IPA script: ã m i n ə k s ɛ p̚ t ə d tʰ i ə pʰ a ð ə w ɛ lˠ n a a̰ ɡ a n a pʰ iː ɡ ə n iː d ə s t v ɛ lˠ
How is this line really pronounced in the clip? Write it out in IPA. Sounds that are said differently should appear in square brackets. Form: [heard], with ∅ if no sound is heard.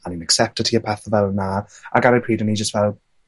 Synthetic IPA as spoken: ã [n] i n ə k s ɛ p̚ t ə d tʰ i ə pʰ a [θ] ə [v] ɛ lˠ n a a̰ ɡ a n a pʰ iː [d] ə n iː [d͡ʒ] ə s t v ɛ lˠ